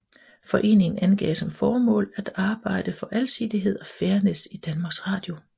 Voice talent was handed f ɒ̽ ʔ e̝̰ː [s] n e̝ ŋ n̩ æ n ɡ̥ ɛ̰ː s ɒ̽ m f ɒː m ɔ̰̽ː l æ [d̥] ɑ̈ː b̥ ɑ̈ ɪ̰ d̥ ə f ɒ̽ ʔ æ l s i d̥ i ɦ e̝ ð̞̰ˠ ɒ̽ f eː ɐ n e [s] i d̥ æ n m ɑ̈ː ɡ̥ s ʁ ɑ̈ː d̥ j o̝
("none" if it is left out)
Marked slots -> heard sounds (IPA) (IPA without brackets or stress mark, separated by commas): none, d̥, s